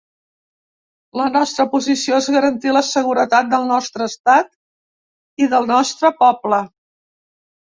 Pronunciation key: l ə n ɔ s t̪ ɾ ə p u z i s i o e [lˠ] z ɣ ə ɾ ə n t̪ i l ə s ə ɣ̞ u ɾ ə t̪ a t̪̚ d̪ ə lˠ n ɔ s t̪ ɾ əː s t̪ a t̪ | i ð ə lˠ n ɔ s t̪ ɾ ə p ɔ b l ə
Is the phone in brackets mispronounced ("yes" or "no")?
yes